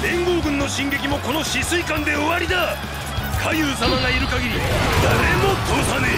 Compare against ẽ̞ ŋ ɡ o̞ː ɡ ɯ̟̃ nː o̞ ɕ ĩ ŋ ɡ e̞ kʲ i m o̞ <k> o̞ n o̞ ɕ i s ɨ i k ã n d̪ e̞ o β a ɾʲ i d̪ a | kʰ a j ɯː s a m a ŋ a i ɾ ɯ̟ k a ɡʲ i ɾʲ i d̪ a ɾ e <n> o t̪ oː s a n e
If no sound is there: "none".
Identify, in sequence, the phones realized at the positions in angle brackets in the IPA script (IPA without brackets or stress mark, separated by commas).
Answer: k, m